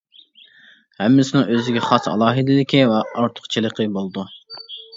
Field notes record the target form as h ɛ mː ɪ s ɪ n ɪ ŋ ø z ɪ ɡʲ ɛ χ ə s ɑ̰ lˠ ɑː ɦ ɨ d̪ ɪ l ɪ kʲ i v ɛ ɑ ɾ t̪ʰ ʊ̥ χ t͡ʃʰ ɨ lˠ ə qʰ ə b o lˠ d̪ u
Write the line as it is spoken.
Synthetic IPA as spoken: h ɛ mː ɪ s ɪ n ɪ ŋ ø z ɪ ɡʲ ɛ χ ɑ s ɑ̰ lˠ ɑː ɦ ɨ d̪ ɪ l ɪ kʲ i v ɛ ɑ ɾ t̪ʰ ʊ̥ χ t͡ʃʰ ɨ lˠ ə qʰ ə b o lˠ d̪ u